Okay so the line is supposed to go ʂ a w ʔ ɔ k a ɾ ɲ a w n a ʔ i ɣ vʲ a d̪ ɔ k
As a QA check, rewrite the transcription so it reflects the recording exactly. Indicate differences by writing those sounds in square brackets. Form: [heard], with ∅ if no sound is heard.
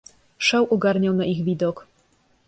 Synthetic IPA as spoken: ʂ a w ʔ ɔ [ɡ] a ɾ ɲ a w n a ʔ i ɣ vʲ [i] d̪ ɔ k